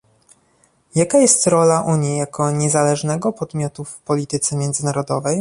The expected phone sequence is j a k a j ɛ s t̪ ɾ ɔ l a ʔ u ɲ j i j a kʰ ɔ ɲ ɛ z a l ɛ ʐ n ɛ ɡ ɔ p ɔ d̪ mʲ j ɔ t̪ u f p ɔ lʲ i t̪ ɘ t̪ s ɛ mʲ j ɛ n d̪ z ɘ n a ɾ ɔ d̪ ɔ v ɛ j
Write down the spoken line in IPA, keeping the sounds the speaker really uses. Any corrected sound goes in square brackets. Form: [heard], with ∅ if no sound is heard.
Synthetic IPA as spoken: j a k a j ɛ s t̪ ɾ ɔ l a ʔ u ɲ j i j a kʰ ɔ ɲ ɛ z a l ɛ ʐ n ɛ ɡ ɔ p ɔ d̪ mʲ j ɔ t̪ u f p ɔ lʲ i t̪ ɘ t̪ s ɛ mʲ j ɛ n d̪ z ɘ n a ɾ ɔ d̪ ɔ v ɛ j

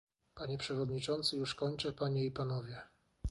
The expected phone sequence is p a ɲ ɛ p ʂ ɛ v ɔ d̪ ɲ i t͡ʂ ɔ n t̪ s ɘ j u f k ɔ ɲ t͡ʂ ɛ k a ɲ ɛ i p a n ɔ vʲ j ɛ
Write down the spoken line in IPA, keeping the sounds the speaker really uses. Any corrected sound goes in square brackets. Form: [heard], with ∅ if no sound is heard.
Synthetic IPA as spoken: p a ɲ ɛ p ʂ ɛ v ɔ d̪ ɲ i t͡ʂ ɔ n t̪ s ɘ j u [ʂ] k ɔ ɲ t͡ʂ ɛ [p] a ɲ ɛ i p a n ɔ vʲ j ɛ

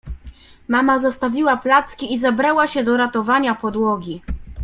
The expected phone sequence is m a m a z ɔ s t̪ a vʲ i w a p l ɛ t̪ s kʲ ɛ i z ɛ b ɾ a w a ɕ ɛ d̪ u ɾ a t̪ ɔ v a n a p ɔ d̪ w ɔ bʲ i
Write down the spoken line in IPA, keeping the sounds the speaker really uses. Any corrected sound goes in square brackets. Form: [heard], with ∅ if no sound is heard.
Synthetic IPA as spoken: m a m a z ɔ s t̪ a vʲ i w a p l [a] t̪ s kʲ [i] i z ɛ b ɾ a w a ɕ ɛ d̪ [ɔ] ɾ a t̪ ɔ v a [ɲ] a p ɔ d̪ w ɔ [ɡʲ] i

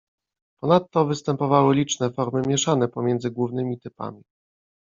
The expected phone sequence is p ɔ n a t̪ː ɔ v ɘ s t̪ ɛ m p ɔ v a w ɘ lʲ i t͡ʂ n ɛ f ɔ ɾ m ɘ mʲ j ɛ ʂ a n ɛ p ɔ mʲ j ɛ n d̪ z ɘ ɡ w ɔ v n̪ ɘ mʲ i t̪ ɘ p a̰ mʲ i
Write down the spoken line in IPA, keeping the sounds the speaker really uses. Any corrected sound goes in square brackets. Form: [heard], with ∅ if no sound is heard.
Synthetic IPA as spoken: p ɔ n a t̪ː ɔ v ɘ s t̪ ɛ m p ɔ v a w ɘ lʲ i t͡ʂ n ɛ f ɔ ɾ m ɘ mʲ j ɛ ʂ a n ɛ p ɔ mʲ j ɛ n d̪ z ɘ ɡ w [u] v n̪ ɘ mʲ i t̪ ɘ p a̰ mʲ i

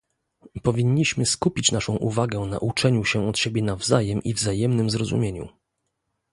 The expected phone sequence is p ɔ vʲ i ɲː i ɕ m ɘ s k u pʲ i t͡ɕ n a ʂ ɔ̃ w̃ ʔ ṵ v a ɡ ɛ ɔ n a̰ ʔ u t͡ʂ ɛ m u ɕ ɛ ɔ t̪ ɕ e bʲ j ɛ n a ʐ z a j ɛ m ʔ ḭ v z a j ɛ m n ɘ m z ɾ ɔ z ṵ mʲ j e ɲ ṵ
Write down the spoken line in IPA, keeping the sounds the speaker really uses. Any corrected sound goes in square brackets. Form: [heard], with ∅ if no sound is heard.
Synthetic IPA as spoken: p ɔ vʲ i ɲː i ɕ m ɘ s k u pʲ i t͡ɕ n a ʂ ɔ̃ w̃ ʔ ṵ v a ɡ ɛ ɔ n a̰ ʔ u t͡ʂ ɛ [ɲ] u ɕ ɛ ɔ t̪ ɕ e bʲ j ɛ n a [v] z a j ɛ m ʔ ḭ v z a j ɛ m n ɘ m z ɾ ɔ z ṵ mʲ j e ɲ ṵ

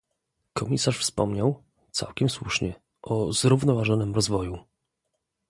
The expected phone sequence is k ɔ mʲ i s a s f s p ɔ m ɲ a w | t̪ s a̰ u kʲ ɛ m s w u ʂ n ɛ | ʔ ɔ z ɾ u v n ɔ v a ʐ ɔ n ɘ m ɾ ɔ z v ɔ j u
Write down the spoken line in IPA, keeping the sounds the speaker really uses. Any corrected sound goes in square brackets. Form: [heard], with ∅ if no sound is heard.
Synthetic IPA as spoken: k ɔ mʲ i s a [ʂ] f s p ɔ m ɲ a w | t̪ s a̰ [w] kʲ ɛ m s w u ʂ [ɲ] ɛ | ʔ ɔ z ɾ u v n ɔ v a ʐ ɔ n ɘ m ɾ ɔ z v ɔ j u

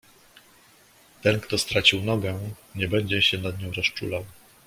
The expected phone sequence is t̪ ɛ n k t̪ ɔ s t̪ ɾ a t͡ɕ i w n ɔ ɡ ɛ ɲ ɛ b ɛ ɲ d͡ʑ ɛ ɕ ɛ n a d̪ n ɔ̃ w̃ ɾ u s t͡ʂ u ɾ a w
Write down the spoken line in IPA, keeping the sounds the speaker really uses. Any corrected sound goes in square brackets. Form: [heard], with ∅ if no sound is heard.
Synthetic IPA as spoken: t̪ ɛ n k t̪ ɔ s t̪ ɾ a t͡ɕ i w n ɔ ɡ ɛ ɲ ɛ b ɛ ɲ d͡ʑ ɛ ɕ ɛ n a d̪ [ɲ] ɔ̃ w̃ ɾ [ɔ] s t͡ʂ u [l] a w

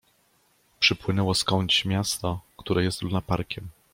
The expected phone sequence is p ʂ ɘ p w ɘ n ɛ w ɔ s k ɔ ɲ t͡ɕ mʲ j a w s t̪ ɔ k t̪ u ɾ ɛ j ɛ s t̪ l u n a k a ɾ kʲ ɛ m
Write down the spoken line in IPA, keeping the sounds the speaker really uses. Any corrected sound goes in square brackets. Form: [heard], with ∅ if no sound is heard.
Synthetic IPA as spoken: p ʂ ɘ p w ɘ n ɛ w ɔ s k ɔ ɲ t͡ɕ mʲ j a [∅] s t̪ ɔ k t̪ u ɾ ɛ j ɛ s t̪ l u n a [p] a ɾ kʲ ɛ m

